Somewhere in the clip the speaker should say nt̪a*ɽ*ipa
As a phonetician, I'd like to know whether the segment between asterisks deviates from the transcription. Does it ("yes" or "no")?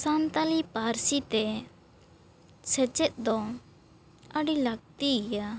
yes